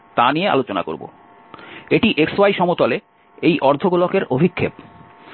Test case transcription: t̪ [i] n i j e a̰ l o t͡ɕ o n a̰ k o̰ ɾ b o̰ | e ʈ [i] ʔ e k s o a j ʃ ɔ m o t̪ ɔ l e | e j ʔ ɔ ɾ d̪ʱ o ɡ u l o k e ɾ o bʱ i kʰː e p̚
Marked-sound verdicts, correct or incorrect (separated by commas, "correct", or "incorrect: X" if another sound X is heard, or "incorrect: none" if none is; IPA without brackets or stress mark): incorrect: a, correct